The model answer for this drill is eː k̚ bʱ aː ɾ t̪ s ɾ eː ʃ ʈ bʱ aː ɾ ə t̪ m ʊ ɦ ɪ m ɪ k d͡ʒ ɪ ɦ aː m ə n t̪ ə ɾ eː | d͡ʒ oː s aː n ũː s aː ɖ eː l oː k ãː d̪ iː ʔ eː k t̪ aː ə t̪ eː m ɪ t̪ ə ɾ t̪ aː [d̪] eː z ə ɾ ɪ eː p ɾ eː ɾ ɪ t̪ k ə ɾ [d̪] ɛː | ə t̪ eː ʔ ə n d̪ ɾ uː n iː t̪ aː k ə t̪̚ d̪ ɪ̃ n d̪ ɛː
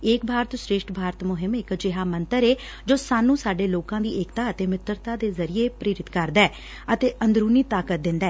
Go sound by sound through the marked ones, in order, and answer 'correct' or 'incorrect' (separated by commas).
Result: correct, correct